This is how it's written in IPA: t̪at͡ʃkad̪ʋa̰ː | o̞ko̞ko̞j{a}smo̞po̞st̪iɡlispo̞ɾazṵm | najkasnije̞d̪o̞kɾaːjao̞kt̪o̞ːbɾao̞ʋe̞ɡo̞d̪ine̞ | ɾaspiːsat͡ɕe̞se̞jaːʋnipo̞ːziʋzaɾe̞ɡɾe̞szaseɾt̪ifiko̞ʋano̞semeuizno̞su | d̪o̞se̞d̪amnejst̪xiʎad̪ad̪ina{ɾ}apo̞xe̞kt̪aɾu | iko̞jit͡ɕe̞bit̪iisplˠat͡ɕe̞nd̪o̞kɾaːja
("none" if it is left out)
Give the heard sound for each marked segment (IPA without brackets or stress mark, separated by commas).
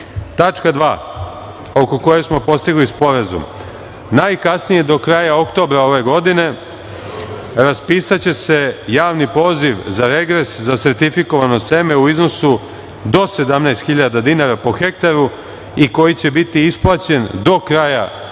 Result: e, ɾ